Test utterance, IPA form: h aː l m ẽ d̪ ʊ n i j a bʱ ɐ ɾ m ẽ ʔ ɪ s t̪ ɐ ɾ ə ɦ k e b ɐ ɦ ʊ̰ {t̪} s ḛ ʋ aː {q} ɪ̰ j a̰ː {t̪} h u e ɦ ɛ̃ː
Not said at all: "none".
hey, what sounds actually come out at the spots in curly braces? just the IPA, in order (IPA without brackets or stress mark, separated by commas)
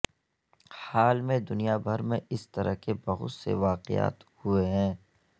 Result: t̪, q, t̪